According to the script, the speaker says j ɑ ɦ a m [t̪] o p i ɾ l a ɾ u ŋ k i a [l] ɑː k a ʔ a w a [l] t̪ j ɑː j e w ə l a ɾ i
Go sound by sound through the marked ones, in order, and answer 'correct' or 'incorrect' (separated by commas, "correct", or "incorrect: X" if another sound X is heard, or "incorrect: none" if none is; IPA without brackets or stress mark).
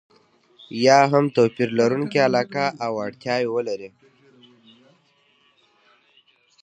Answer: correct, correct, incorrect: ɽ